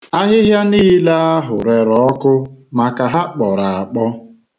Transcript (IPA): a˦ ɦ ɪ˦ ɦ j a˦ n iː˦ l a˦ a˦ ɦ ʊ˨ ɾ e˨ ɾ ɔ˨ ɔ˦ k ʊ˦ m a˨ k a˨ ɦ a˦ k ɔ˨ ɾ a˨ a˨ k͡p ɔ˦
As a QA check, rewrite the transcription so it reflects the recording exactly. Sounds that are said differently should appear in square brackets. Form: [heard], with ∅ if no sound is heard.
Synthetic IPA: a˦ ɦ ɪ˦ ɦ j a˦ n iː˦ l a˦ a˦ ɦ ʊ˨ ɾ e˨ ɾ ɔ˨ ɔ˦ k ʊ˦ m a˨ k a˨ ɦ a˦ [k͡p] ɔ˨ ɾ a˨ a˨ k͡p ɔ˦